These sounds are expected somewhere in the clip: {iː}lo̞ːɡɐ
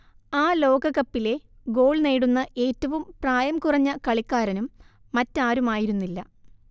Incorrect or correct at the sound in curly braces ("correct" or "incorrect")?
incorrect